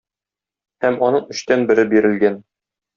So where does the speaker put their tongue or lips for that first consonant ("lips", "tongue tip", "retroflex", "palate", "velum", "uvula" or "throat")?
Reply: throat